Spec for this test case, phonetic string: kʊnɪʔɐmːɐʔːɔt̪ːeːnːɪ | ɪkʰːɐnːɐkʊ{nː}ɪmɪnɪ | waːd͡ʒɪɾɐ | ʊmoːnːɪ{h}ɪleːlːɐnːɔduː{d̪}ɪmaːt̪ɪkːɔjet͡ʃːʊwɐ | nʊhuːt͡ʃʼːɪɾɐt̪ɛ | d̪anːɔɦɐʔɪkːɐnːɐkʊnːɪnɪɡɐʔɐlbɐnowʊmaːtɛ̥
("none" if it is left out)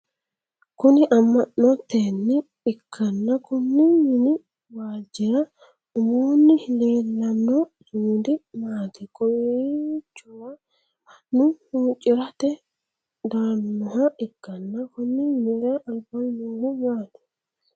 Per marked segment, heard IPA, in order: nː, h, d̪

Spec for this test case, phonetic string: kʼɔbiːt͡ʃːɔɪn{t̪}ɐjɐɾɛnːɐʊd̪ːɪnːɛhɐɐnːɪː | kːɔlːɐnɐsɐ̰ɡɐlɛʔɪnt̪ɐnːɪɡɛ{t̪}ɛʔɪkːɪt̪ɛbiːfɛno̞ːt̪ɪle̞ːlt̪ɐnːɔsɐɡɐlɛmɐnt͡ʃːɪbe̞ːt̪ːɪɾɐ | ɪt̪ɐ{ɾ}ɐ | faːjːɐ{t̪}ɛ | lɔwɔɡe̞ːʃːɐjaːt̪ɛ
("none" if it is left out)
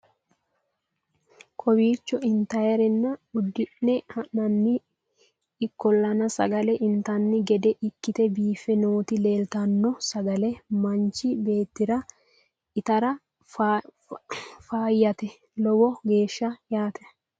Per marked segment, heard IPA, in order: t̪, d̪, ɾ, t̪

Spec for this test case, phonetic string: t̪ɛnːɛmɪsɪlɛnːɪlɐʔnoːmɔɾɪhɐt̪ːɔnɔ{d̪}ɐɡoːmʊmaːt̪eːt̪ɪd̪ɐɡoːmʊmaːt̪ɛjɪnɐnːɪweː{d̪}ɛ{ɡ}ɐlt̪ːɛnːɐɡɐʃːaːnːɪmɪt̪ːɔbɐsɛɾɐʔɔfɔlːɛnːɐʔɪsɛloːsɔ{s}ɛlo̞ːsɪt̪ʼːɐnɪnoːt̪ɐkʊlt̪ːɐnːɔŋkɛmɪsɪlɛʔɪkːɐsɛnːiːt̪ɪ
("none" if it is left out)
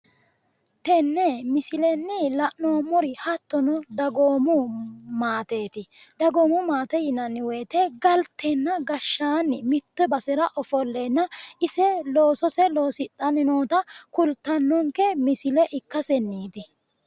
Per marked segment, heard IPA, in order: d̪, t̪, ɡ, s

